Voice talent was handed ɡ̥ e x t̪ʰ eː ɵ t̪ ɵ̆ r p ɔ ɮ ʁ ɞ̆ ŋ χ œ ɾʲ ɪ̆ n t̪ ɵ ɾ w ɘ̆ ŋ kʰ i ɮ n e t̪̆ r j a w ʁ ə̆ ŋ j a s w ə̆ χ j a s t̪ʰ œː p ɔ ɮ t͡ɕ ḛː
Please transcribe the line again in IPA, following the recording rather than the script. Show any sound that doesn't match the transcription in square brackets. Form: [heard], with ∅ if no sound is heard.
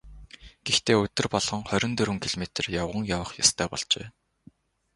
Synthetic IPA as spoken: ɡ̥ e x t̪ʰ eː ɵ t̪ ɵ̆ r p ɔ ɮ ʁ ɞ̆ ŋ χ œ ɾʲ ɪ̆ n t̪ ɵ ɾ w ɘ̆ ŋ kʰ i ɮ [m] e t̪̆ r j a w ʁ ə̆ ŋ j a [∅] w ə̆ χ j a s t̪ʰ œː p ɔ ɮ t͡ɕ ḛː

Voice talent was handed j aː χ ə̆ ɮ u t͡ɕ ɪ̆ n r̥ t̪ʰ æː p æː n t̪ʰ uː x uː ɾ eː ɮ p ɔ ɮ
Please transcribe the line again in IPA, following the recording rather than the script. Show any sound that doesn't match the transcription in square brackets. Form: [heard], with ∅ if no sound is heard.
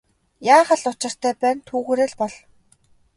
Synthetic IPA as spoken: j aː χ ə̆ ɮ [ʊ] t͡ɕ ɪ̆ [∅] r̥ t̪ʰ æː p æː n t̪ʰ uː [ɣ] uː ɾ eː ɮ p ɔ ɮ

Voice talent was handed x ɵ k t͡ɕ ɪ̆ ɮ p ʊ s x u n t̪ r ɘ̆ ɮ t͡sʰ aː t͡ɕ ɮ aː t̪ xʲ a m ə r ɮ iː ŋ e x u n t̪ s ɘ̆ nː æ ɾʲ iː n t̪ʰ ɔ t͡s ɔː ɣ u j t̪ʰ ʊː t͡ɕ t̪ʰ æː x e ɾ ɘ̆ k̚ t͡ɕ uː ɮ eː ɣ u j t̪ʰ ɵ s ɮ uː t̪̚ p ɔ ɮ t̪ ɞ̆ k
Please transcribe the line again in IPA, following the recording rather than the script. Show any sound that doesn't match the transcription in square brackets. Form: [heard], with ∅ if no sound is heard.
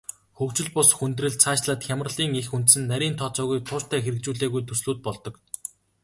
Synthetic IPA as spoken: x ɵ k t͡ɕ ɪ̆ ɮ p ʊ s x u n t̪ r ɘ̆ ɮ t͡sʰ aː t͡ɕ ɮ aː t̪ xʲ a m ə r ɮ iː ŋ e x u n t̪ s ɘ̆ nː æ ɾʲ iː n t̪ʰ ɔ t͡s ɔː ɣ u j t̪ʰ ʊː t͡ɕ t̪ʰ æː x e ɾ ɘ̆ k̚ t͡ɕ uː ɮ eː ɣ u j t̪ʰ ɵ s ɮ uː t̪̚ p ɔ ɮ t̪ ɞ̆ k

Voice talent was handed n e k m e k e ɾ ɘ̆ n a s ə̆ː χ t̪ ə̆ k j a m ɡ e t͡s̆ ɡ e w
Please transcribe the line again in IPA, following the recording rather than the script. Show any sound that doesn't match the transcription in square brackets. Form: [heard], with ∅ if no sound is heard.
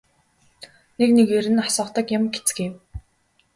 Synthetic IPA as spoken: n e k [n] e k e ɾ ɘ̆ n a s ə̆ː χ t̪ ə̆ k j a m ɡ e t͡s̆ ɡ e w

